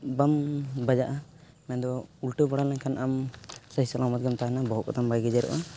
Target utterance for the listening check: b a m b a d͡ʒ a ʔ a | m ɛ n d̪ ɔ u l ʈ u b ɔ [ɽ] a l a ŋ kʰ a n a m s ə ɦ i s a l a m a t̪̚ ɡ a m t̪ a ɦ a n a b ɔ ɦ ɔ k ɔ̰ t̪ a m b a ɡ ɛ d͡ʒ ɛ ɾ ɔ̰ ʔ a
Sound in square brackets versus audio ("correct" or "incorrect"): correct